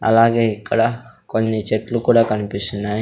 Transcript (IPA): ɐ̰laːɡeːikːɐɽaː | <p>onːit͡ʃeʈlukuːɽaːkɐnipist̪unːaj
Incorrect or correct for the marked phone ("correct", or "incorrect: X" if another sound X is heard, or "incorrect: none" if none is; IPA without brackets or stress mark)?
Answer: incorrect: k